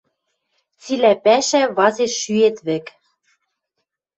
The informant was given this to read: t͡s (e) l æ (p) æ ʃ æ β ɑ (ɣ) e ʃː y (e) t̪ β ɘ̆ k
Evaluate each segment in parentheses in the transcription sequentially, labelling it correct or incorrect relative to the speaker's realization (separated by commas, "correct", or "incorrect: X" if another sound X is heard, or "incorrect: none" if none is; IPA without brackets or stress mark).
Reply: incorrect: i, correct, incorrect: z, correct